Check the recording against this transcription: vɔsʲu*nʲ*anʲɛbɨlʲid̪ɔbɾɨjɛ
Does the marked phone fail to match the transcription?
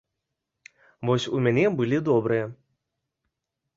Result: yes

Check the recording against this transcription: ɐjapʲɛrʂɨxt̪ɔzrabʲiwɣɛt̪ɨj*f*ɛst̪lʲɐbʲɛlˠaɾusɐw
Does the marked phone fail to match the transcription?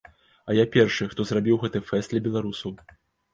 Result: no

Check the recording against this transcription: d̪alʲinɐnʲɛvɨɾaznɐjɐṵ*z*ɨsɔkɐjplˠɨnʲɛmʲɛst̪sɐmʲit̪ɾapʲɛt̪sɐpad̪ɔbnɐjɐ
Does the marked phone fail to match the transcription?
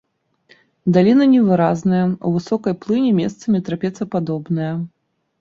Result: yes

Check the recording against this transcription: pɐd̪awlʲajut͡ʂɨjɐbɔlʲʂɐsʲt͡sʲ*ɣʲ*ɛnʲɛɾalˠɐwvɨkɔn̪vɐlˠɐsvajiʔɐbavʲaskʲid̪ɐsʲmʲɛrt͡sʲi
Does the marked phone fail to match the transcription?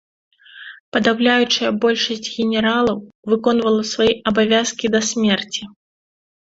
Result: no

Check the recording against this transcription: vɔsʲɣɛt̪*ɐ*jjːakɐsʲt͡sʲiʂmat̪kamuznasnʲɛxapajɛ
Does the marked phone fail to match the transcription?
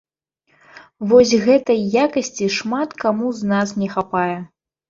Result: no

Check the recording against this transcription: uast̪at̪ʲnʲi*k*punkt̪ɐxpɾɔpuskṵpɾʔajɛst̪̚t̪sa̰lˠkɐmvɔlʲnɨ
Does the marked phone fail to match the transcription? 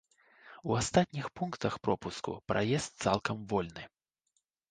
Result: yes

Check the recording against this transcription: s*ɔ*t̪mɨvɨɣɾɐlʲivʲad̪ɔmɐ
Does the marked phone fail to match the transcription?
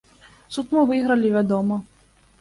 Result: yes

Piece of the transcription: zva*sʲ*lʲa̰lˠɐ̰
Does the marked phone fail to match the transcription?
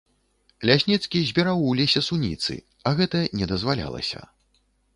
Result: yes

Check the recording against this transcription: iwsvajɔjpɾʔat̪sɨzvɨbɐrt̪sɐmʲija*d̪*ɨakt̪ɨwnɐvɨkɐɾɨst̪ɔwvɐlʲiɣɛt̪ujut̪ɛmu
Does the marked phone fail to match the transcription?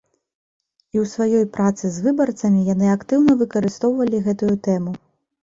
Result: yes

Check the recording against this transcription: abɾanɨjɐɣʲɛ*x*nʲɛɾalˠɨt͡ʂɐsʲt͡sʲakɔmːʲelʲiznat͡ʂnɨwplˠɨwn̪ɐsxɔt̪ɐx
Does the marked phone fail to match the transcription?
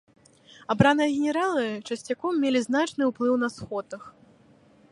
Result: yes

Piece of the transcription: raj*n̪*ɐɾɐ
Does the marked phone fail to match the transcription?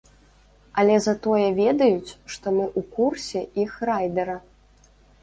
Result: yes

